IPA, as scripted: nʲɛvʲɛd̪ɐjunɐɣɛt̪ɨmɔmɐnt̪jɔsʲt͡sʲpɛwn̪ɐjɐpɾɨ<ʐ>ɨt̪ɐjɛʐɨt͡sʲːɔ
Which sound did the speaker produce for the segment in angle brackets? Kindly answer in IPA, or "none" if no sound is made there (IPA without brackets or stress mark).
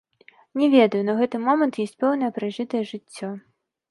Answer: ʐ